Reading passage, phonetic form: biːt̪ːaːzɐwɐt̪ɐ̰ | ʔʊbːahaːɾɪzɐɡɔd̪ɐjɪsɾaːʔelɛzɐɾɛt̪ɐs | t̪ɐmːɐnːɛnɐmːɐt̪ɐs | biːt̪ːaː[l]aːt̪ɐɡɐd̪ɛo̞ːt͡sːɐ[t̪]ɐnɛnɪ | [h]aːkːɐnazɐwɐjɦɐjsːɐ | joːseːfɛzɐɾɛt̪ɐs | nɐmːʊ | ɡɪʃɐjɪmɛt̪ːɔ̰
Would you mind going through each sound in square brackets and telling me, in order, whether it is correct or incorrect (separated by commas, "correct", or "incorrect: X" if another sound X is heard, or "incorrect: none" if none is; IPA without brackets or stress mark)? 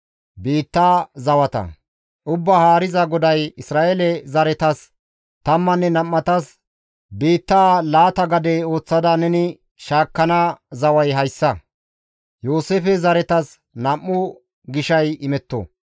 correct, incorrect: d̪, incorrect: ʃ